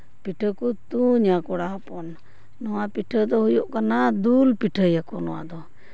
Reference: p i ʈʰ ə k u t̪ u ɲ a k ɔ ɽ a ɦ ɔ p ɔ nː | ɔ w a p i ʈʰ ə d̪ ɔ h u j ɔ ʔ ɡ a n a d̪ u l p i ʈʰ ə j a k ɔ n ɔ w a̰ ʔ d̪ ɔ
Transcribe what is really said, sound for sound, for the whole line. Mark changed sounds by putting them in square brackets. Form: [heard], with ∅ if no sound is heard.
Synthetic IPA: p i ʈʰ ə k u t̪ u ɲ a k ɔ ɽ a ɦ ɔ p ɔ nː | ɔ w a p i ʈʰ ə d̪ ɔ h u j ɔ ʔ [k] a n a d̪ u l p i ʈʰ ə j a k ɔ n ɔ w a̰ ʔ d̪ ɔ